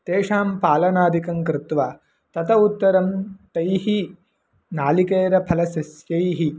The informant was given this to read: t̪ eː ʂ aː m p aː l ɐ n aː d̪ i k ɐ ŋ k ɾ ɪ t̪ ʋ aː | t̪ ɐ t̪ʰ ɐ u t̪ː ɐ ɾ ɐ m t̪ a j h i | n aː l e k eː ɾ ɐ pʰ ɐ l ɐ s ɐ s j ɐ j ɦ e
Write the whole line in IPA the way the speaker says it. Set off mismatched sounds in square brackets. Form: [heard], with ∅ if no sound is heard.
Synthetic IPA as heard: t̪ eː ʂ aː m p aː l ɐ n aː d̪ i k ɐ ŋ k ɾ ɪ t̪ ʋ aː | t̪ ɐ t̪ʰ ɐ u t̪ː ɐ ɾ ɐ m t̪ [ɐ] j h i | n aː l [i] k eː ɾ ɐ pʰ ɐ l ɐ s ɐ s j ɐ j ɦ [i]